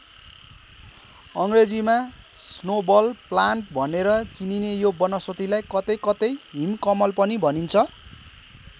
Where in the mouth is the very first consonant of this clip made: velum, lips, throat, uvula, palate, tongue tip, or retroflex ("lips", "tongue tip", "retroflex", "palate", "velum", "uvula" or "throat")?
velum